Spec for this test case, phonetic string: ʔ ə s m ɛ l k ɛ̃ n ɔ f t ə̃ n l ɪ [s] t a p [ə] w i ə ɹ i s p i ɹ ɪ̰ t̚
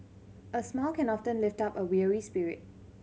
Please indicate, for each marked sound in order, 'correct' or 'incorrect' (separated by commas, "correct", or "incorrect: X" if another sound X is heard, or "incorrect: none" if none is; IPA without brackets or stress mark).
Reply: incorrect: f, correct